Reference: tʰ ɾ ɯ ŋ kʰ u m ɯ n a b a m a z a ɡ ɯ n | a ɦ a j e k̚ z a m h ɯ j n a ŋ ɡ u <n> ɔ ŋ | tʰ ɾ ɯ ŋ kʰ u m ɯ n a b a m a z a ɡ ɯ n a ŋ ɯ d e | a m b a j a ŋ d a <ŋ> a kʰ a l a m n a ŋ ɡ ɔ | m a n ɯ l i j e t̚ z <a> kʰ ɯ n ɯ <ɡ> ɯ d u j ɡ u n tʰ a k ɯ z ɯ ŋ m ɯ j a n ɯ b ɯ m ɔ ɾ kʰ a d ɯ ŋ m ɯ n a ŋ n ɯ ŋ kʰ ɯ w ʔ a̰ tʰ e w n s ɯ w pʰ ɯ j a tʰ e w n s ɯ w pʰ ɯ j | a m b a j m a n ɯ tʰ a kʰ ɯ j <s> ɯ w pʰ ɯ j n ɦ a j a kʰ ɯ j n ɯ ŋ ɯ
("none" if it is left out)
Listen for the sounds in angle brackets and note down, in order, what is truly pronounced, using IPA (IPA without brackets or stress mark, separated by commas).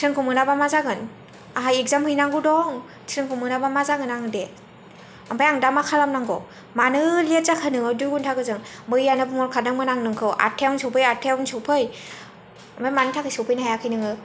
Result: d, m, a, ŋ, s